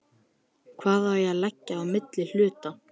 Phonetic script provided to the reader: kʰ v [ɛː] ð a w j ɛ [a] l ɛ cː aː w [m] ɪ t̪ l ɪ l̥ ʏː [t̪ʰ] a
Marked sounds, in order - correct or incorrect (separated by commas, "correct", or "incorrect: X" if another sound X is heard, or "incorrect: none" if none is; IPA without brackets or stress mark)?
incorrect: aː, correct, correct, incorrect: t̪